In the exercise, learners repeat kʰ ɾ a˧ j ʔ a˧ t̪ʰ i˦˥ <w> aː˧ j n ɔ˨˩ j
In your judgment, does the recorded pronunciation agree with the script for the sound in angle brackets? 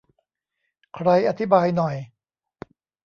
no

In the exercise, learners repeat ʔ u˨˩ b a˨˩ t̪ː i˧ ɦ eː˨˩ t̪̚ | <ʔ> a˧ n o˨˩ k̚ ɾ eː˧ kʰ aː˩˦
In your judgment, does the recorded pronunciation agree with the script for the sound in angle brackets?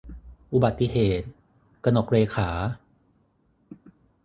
no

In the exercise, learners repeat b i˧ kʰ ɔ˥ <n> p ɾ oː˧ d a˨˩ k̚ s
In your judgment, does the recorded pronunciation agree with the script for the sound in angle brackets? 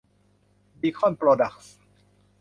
yes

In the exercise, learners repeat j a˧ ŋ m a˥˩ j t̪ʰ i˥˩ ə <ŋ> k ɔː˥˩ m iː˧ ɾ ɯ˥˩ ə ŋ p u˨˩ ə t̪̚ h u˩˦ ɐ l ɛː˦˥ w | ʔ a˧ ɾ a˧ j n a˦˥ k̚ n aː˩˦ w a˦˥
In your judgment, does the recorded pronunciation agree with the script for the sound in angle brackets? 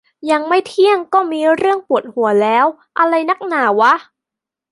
yes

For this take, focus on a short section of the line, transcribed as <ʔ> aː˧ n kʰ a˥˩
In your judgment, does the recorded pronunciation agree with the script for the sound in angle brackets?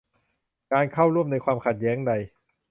no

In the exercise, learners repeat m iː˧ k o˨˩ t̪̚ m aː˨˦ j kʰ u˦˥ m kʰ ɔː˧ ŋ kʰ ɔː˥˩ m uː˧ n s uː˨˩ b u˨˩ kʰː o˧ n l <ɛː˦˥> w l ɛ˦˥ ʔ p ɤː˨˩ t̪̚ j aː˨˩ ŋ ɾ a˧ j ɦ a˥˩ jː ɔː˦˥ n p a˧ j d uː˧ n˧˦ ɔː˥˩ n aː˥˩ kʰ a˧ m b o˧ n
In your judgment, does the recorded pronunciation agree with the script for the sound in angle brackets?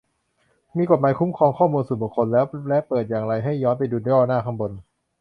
yes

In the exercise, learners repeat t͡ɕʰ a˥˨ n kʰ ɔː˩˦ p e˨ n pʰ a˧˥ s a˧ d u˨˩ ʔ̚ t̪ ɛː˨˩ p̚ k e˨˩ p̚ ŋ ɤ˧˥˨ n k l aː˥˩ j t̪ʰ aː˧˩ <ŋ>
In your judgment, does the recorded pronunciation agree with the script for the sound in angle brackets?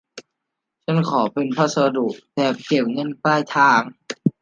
yes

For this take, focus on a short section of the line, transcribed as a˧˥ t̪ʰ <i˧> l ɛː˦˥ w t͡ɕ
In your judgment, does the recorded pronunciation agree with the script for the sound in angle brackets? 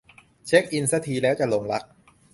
no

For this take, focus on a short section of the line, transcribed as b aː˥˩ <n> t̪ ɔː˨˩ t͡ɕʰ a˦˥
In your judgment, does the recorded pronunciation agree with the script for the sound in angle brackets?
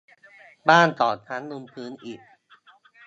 yes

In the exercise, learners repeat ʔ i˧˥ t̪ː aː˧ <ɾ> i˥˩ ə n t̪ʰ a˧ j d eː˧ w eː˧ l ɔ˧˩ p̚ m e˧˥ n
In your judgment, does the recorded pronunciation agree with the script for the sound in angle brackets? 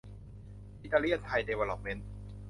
no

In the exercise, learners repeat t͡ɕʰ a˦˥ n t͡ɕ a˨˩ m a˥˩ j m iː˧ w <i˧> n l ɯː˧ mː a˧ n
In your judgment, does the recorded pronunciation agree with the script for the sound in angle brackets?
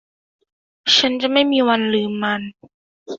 no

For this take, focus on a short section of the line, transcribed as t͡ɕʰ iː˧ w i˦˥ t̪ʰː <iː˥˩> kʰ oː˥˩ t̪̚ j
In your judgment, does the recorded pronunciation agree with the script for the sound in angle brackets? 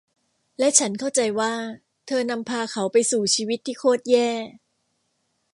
yes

